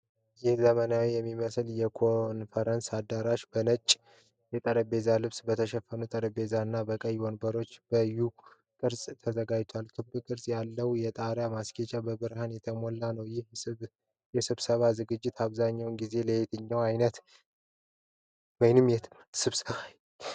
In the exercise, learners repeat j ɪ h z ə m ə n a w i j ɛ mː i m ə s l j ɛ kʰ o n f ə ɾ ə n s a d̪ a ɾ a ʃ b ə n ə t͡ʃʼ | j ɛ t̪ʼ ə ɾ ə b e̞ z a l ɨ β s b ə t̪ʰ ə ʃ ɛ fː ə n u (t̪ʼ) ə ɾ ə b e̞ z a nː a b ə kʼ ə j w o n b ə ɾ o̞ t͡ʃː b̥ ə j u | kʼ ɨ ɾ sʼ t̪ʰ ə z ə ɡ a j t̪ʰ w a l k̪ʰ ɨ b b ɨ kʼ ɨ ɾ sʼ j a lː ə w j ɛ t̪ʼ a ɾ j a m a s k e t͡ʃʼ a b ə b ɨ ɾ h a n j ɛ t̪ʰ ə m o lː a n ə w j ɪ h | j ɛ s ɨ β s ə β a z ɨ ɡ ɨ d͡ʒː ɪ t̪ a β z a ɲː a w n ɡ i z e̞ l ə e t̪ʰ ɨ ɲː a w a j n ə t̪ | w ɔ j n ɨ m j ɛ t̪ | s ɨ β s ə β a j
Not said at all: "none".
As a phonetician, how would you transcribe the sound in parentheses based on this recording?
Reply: t̪ʼ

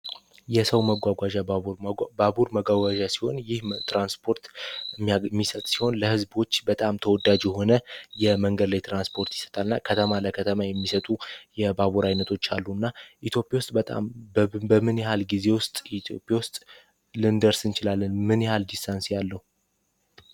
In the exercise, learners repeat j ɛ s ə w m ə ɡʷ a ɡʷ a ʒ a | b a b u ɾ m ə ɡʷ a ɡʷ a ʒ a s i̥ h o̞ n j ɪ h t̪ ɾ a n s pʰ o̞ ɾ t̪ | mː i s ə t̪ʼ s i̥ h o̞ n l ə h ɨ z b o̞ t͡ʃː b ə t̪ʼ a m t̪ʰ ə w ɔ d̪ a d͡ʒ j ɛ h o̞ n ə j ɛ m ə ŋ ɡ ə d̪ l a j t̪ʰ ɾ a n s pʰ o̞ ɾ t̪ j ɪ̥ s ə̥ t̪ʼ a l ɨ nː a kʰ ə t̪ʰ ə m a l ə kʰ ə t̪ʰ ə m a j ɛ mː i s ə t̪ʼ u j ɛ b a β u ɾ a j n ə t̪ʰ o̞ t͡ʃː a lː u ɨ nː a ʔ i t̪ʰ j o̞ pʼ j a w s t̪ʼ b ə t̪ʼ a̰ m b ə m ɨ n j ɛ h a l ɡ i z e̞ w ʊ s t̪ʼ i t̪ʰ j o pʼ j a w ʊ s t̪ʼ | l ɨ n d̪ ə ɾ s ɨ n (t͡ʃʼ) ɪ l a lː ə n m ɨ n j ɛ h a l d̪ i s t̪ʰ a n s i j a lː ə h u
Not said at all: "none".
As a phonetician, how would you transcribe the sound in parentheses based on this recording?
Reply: t͡ʃ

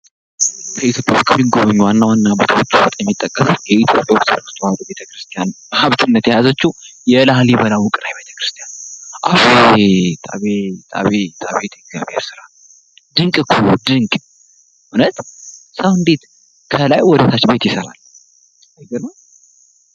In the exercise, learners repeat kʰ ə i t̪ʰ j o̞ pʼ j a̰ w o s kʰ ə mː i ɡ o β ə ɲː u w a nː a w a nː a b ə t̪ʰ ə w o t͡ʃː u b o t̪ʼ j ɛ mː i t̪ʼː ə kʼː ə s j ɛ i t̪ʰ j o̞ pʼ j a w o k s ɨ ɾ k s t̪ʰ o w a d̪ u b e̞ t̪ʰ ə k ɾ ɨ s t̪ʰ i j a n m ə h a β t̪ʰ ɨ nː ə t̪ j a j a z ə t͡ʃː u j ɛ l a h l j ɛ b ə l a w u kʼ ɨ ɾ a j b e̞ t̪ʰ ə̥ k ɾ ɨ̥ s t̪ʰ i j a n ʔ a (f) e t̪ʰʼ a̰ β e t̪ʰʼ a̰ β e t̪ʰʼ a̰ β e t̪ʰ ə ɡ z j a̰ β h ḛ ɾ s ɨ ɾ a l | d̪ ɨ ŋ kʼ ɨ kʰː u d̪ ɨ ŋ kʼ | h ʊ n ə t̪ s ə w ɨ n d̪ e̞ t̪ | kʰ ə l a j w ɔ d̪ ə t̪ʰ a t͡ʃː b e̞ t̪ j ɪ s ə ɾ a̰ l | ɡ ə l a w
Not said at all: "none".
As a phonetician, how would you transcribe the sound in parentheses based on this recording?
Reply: f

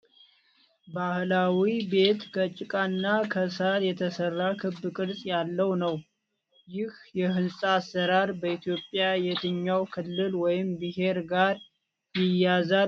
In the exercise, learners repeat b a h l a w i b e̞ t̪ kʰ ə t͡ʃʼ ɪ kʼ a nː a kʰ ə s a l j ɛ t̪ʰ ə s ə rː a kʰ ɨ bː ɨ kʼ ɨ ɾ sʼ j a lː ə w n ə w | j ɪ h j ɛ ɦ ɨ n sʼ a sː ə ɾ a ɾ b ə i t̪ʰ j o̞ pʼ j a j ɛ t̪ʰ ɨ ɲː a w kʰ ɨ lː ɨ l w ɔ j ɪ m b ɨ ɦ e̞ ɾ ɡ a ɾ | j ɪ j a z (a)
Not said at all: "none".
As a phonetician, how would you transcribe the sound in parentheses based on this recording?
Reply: a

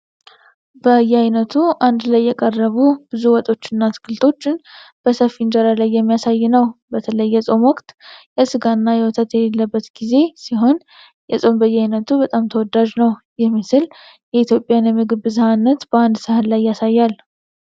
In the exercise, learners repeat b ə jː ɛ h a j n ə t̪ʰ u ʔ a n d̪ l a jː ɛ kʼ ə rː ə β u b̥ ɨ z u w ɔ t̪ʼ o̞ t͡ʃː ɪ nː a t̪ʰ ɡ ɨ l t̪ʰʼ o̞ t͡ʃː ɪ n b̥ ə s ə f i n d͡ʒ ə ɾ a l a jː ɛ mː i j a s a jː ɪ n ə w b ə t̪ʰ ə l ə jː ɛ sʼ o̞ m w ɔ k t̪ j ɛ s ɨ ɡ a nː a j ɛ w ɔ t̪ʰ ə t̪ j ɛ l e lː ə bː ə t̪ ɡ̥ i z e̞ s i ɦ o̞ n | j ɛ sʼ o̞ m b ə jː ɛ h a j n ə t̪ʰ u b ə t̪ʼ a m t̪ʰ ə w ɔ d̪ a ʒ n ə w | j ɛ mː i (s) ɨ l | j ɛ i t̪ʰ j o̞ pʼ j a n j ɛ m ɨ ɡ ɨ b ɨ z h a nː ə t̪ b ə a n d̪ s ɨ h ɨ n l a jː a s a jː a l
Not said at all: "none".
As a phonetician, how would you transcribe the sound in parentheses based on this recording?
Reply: s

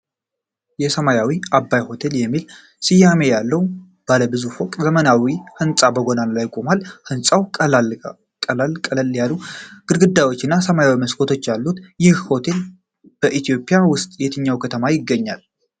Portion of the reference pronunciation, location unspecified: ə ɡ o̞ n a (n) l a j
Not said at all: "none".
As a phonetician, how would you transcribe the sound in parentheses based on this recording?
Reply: n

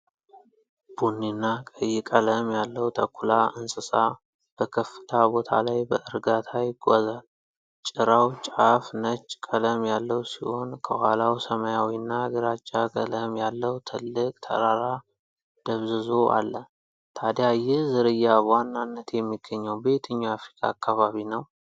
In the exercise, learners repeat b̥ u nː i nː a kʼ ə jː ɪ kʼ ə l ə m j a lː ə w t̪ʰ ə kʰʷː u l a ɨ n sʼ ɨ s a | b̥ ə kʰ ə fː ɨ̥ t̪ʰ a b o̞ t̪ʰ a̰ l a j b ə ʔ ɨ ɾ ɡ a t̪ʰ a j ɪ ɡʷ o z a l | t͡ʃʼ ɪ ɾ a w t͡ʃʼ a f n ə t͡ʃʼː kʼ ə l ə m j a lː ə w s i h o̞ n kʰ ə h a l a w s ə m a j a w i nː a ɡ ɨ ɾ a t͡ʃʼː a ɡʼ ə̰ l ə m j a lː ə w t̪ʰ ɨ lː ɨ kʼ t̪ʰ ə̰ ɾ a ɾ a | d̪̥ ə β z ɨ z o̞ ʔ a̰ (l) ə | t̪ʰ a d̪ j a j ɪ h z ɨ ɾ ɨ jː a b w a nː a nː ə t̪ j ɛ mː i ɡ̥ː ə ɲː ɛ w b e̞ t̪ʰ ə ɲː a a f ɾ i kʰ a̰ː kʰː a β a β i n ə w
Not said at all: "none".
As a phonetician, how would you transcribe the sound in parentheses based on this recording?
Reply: lː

